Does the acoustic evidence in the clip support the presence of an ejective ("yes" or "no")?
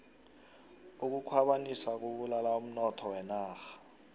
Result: no